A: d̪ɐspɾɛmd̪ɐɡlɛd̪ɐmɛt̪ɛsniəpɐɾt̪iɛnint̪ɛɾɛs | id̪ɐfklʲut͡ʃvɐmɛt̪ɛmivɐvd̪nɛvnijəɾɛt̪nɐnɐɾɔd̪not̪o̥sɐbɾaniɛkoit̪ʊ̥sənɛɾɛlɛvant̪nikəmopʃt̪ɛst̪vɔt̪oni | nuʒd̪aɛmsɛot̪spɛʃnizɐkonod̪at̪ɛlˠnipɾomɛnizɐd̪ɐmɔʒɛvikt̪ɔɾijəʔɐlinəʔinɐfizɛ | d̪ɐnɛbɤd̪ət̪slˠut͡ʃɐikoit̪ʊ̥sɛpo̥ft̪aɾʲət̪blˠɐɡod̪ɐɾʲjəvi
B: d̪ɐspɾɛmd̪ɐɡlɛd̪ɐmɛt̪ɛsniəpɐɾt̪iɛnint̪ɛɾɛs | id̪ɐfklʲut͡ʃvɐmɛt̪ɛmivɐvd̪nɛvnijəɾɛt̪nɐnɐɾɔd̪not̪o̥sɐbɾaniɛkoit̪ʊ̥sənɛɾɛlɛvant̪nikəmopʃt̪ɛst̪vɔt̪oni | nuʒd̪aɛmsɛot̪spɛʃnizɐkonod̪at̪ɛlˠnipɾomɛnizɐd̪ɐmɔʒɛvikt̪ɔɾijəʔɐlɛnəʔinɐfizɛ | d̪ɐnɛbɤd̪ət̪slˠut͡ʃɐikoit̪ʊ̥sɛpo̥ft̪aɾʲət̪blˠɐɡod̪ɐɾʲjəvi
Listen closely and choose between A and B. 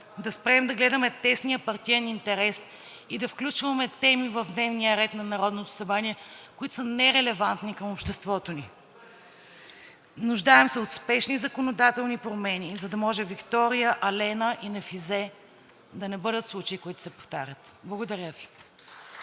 B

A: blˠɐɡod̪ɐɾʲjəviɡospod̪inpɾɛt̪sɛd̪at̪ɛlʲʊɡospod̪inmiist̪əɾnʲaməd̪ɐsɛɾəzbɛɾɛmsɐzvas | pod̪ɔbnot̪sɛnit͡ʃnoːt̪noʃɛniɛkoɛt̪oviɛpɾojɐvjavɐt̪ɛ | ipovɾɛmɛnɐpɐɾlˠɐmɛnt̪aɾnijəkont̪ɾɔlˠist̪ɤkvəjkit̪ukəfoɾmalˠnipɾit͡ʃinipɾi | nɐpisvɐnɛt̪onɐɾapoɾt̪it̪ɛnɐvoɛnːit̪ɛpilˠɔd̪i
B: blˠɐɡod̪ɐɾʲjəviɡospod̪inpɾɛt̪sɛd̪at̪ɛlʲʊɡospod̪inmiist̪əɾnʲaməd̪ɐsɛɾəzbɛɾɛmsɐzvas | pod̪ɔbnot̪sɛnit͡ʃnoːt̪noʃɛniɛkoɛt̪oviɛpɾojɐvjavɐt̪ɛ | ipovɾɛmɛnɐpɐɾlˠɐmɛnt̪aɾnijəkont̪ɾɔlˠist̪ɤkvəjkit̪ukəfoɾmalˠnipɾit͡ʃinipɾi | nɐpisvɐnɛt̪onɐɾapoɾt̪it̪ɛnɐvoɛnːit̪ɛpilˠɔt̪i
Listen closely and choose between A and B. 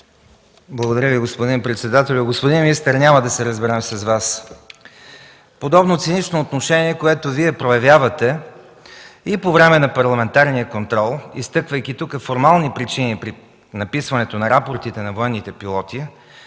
B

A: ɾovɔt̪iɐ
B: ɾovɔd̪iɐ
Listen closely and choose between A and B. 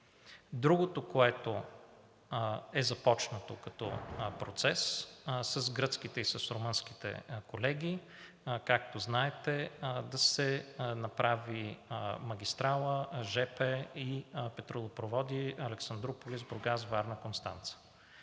B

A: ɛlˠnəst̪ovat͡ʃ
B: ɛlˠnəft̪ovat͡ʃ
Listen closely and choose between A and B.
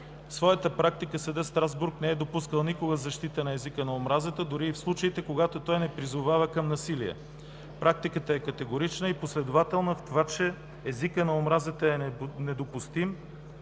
B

